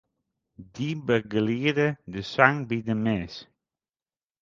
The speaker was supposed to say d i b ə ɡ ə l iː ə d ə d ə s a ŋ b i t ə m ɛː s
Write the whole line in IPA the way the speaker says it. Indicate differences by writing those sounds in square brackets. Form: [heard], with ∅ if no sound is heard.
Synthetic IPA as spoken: d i b ə ɡ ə l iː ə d ə d ə s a ŋ b i [d] ə m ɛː s